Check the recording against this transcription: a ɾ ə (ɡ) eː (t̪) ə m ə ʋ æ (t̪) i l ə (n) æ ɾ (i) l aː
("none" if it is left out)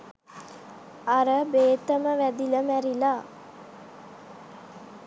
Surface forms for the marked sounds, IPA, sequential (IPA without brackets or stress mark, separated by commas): b, t̪, d̪, m, i